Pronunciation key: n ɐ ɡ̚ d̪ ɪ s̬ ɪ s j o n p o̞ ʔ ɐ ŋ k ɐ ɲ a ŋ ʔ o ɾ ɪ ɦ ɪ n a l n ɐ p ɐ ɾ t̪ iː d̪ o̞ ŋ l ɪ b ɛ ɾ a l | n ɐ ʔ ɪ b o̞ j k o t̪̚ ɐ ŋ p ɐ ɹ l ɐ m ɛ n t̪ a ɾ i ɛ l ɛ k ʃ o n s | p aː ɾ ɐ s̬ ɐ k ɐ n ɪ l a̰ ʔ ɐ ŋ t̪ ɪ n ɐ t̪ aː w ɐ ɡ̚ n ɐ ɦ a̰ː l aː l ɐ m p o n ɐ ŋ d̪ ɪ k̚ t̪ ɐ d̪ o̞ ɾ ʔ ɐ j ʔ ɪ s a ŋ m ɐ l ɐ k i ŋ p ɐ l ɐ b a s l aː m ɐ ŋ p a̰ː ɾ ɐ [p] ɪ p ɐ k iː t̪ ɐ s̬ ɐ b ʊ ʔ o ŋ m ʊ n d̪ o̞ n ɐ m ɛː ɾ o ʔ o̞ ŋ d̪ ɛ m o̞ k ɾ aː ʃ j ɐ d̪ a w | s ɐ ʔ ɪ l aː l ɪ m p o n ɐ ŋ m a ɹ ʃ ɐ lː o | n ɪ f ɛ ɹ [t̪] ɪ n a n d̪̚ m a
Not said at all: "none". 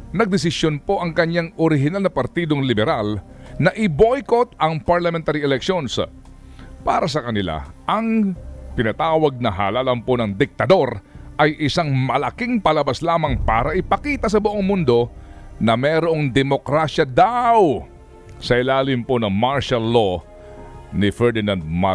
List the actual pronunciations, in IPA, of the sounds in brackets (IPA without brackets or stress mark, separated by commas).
ʔ, d̪